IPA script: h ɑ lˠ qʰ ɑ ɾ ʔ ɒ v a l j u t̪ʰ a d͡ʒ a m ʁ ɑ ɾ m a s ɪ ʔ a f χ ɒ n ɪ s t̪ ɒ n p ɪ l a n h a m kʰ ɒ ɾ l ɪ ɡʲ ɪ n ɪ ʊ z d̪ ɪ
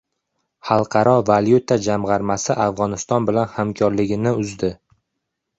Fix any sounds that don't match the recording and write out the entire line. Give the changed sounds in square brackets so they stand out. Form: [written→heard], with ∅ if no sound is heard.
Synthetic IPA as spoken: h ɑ lˠ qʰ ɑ ɾ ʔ ɒ v a l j u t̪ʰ a d͡ʒ a m ʁ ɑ ɾ m a s ɪ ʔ a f [χ→ʁ] ɒ n ɪ s t̪ ɒ n [p→b] ɪ l a n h a m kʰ ɒ ɾ l ɪ ɡʲ ɪ n ɪ ʊ z d̪ ɪ